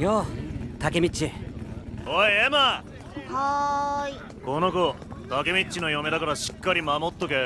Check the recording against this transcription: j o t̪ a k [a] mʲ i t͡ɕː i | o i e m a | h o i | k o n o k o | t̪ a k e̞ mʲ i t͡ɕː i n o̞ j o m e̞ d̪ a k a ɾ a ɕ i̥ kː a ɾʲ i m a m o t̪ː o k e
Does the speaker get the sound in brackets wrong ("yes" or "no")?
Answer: yes